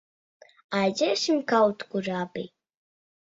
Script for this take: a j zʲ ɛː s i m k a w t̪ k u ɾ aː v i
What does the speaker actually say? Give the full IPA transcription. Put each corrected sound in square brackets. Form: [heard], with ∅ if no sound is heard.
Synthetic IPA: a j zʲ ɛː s i m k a w t̪ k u ɾ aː [b] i